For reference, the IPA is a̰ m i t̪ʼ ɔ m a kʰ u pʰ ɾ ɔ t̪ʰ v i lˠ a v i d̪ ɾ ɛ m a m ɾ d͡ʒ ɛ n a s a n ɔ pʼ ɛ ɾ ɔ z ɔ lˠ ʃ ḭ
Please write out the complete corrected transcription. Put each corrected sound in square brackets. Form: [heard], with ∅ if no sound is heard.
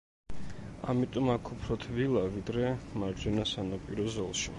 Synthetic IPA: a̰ m i t̪ʼ ɔ m a kʰ u pʰ ɾ ɔ t̪ʰ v i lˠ a v i d̪ ɾ ɛ m a [∅] ɾ d͡ʒ ɛ n a s a n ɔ pʼ [i] ɾ ɔ z ɔ lˠ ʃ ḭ